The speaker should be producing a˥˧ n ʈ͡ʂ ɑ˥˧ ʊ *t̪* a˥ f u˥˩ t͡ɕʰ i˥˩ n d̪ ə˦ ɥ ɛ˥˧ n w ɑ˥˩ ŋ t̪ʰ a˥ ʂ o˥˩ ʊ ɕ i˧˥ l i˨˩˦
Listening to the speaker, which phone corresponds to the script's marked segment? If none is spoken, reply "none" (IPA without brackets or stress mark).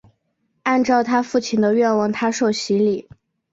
t̪ʰ